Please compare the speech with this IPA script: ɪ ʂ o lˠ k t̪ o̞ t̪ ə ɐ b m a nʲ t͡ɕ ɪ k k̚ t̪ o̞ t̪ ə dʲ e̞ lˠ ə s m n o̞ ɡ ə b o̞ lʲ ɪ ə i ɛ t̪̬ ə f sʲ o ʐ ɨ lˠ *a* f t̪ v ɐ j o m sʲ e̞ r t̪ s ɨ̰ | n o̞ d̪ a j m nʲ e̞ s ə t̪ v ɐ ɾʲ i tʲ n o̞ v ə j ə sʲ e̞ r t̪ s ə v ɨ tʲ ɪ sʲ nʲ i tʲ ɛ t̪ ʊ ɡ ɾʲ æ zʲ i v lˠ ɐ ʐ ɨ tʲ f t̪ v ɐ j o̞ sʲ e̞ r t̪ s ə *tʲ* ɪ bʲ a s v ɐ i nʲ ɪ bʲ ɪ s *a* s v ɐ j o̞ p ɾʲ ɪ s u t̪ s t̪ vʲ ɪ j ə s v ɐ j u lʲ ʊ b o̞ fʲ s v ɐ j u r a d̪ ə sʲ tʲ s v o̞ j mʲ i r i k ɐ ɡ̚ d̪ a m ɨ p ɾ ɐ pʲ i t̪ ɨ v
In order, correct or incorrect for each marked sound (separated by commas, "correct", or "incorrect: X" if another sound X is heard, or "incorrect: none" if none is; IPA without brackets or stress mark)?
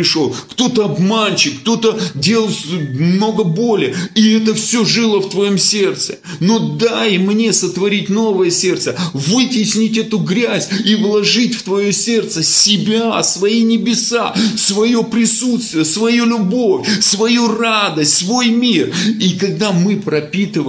incorrect: ə, incorrect: sʲ, correct